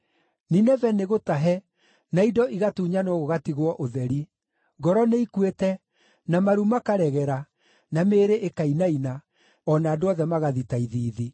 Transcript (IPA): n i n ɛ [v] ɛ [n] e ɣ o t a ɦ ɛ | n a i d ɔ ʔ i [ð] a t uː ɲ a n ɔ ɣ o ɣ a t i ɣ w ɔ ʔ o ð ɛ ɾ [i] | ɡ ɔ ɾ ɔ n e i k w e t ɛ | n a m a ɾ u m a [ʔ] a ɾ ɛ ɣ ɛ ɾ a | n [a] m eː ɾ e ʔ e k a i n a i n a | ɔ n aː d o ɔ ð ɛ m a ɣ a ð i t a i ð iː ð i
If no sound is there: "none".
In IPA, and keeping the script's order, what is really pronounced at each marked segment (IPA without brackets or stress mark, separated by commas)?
v, n, ɣ, i, k, a